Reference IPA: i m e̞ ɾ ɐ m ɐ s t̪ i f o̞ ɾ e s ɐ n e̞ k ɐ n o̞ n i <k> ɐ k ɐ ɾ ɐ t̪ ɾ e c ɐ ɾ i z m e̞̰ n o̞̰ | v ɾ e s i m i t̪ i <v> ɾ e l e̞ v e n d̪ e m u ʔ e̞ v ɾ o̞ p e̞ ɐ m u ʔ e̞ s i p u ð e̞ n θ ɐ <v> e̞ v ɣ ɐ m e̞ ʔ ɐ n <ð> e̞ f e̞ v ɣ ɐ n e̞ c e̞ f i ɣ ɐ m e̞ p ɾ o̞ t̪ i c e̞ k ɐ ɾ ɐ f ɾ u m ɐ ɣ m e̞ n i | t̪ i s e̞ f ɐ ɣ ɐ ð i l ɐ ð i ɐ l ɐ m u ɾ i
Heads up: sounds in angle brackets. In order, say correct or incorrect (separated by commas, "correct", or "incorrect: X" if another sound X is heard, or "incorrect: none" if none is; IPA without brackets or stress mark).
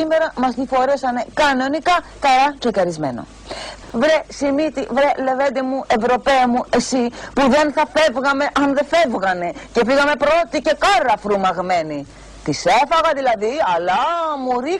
correct, correct, incorrect: f, correct